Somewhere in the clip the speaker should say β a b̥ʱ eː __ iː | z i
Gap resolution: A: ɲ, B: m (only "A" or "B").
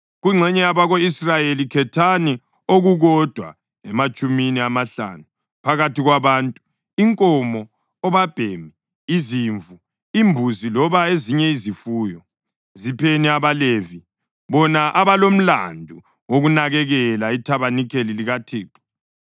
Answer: B